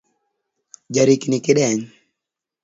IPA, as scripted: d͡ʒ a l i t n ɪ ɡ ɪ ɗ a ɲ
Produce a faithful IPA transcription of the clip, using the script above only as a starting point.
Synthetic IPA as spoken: d͡ʒ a ɾ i k n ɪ k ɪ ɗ ɛ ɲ